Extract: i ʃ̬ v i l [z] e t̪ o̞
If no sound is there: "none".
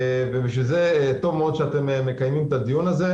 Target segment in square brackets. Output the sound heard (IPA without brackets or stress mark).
z